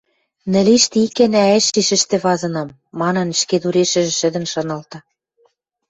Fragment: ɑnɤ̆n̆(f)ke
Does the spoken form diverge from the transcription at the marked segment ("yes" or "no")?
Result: yes